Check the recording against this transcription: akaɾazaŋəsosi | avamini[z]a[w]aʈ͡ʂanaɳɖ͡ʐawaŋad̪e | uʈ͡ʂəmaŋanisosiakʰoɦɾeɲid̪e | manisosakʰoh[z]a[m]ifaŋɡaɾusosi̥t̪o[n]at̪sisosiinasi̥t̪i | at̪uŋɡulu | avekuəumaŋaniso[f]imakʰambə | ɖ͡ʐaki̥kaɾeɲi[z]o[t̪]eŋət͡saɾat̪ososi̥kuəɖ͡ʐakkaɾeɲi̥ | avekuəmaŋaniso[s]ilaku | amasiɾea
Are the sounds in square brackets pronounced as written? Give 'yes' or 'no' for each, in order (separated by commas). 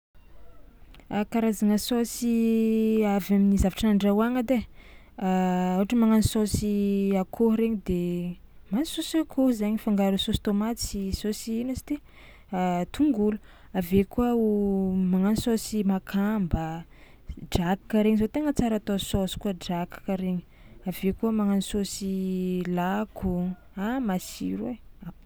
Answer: yes, no, yes, no, no, no, yes, yes, yes